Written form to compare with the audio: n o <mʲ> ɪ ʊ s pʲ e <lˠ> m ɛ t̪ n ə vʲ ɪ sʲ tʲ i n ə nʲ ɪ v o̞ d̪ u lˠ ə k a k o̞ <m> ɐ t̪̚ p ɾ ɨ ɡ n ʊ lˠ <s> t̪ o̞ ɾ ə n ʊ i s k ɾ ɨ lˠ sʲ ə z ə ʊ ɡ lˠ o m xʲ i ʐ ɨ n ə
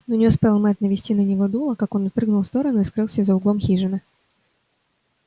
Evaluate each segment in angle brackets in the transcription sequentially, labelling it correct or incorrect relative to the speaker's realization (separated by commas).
incorrect, correct, incorrect, correct